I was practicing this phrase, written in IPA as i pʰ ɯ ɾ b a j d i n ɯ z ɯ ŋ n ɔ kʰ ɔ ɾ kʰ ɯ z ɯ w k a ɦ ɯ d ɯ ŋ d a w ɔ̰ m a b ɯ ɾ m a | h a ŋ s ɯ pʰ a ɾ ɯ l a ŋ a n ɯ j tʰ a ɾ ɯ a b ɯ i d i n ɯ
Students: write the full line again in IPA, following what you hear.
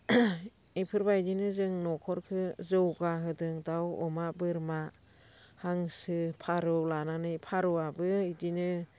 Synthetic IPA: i pʰ ɯ ɾ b a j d i n ɯ z ɯ ŋ n ɔ kʰ ɔ ɾ kʰ ɯ z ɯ w ɡ a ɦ ɯ d ɯ ŋ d a w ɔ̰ m a b ɯ ɾ m a | h a ŋ s ɯ pʰ a ɾ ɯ l a n a n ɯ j pʰ a ɾ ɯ a b ɯ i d i n ɯ